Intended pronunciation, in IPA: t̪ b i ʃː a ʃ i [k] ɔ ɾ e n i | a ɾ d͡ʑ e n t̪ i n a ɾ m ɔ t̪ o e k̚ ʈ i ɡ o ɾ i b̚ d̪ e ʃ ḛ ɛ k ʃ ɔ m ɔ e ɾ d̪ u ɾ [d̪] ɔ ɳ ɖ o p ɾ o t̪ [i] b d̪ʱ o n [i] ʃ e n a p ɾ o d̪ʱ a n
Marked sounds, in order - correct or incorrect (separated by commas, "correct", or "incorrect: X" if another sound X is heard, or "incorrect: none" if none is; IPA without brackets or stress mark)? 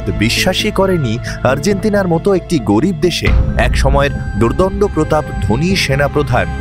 correct, correct, incorrect: a, correct